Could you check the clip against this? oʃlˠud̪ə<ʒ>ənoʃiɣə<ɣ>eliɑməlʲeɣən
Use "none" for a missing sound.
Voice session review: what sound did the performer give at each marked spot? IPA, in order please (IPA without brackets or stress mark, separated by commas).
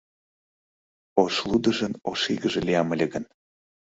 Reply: ʒ, ʒ